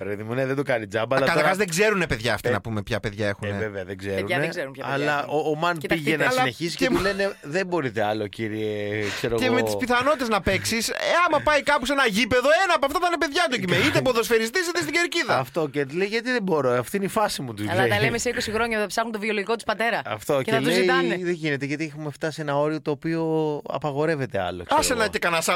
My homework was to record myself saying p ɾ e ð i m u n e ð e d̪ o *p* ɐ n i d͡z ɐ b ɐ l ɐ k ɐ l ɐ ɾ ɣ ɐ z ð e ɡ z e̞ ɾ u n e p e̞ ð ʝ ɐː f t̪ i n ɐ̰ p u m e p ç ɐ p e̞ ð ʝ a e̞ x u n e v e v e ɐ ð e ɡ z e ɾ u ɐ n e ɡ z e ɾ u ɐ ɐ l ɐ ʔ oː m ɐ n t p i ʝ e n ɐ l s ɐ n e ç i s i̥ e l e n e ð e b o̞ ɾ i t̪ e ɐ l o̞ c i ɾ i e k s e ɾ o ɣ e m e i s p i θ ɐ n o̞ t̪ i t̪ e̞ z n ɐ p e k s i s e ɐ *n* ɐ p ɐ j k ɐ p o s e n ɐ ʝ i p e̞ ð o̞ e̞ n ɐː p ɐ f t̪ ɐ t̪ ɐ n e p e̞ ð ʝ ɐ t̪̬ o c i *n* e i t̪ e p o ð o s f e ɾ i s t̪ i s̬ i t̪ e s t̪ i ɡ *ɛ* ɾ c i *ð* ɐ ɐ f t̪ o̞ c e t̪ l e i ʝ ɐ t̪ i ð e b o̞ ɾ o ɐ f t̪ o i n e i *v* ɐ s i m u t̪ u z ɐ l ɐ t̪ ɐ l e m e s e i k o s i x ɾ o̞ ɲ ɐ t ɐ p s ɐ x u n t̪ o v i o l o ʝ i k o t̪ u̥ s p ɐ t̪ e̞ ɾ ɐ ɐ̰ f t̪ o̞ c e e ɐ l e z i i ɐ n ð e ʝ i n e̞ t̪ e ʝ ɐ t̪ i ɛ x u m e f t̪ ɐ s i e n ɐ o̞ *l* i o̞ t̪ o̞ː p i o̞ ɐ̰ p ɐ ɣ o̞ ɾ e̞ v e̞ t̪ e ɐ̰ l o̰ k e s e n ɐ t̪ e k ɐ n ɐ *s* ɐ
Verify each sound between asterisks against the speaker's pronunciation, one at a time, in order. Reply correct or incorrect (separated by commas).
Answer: incorrect, incorrect, incorrect, incorrect, correct, incorrect, incorrect, correct